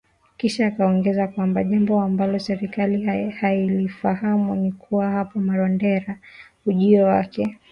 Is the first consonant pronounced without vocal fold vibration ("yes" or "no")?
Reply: yes